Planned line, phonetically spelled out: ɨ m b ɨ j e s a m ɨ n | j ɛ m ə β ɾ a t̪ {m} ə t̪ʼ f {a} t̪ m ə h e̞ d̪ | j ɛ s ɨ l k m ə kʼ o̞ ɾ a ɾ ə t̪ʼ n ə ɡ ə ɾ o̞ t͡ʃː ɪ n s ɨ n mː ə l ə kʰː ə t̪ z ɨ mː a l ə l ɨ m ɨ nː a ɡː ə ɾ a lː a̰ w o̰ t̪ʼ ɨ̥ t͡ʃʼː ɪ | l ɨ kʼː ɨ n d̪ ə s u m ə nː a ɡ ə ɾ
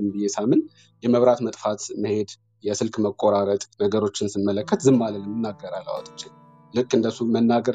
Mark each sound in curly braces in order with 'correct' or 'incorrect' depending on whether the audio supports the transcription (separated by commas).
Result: correct, correct